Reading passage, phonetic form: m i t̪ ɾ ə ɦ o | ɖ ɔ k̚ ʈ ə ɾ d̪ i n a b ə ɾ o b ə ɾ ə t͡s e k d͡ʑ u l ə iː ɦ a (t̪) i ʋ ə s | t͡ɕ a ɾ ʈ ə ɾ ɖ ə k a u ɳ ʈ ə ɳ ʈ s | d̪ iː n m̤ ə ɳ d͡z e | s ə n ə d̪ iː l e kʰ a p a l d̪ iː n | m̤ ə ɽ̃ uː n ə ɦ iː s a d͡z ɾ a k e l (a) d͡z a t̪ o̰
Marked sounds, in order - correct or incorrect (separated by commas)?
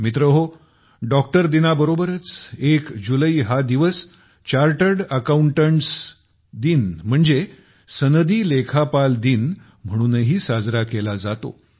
incorrect, correct